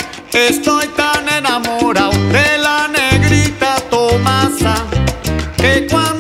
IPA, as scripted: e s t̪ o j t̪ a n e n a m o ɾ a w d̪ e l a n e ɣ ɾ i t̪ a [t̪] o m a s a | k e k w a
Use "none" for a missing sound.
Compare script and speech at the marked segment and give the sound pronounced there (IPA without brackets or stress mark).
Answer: t̪